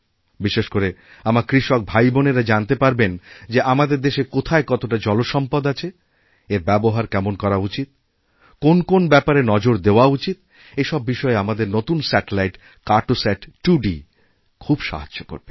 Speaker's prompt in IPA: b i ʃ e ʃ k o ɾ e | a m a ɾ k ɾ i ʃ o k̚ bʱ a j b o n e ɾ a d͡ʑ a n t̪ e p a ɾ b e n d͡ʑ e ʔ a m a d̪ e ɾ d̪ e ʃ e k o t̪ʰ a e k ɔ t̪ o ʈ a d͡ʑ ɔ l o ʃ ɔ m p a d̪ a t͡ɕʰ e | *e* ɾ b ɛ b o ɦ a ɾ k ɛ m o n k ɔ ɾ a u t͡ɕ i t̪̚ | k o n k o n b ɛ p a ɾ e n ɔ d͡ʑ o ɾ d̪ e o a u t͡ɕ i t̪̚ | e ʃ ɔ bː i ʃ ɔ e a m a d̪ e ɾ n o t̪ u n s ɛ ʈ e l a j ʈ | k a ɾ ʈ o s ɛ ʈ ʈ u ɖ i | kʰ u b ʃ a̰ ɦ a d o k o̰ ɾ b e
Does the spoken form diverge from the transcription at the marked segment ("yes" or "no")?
no